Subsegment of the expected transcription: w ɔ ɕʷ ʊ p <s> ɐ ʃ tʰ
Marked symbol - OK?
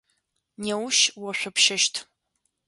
no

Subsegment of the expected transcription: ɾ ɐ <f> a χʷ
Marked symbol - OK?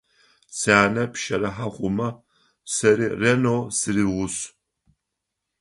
no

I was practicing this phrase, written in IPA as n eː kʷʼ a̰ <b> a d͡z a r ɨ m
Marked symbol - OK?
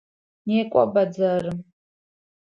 yes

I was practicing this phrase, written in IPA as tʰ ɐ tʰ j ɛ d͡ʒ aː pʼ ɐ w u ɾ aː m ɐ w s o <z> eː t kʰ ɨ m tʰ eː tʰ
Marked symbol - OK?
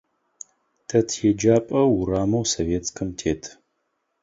no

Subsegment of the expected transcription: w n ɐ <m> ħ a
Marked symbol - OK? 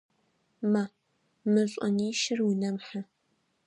yes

